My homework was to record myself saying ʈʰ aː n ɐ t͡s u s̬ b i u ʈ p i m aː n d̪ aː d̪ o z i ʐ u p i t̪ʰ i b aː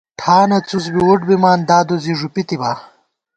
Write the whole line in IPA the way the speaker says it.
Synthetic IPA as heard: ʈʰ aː n ɐ t͡s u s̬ b i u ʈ b i m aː n d̪ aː d̪ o z i ʐ u p i t̪ i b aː